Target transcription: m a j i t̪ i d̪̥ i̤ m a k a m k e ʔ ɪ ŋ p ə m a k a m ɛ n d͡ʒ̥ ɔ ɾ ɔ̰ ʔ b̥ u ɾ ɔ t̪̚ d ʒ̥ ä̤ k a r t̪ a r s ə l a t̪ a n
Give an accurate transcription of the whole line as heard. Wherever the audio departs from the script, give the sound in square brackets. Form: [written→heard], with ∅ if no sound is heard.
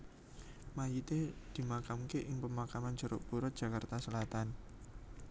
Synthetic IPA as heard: m a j i t̪ [i→e] d̪̥ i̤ m a k a m k e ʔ ɪ ŋ p ə m a k a m [ɛ→a] n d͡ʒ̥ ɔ ɾ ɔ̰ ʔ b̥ u ɾ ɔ t̪̚ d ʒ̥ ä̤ k a r t̪ a [r→∅] s ə l a t̪ a n